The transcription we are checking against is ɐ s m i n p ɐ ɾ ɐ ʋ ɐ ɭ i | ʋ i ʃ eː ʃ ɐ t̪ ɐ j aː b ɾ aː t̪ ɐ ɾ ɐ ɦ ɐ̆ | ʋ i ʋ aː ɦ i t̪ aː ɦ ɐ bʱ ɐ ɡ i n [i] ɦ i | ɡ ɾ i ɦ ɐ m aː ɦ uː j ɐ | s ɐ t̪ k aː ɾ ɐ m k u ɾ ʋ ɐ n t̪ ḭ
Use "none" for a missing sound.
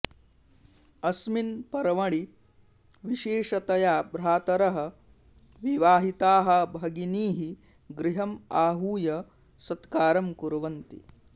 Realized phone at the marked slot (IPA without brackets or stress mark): iː